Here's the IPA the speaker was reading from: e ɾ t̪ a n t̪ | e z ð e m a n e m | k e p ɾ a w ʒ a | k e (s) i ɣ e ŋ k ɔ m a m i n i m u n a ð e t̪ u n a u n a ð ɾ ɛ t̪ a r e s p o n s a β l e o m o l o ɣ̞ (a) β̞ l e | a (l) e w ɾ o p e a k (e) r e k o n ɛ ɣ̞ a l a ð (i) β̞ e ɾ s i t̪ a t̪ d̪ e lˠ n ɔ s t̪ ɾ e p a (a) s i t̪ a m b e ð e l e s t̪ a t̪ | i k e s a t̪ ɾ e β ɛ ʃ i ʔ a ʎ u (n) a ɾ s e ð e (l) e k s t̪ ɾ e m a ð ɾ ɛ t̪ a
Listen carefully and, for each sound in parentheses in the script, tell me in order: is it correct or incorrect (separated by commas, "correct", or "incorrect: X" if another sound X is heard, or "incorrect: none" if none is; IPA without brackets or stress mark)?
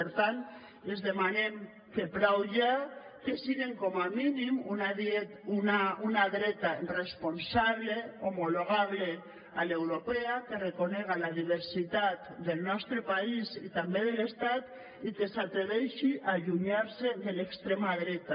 correct, correct, correct, correct, correct, incorrect: i, incorrect: ɲ, correct